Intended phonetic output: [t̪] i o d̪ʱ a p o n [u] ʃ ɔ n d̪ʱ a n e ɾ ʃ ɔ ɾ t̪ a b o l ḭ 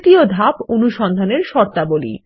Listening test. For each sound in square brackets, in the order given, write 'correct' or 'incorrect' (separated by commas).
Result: correct, correct